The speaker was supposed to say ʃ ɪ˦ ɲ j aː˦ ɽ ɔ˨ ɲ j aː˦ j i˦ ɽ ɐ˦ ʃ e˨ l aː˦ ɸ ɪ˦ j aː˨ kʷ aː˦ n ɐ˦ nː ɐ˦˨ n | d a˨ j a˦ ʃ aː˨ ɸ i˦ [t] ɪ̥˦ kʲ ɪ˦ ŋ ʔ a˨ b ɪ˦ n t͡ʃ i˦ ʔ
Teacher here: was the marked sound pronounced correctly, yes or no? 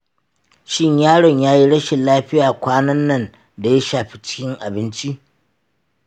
no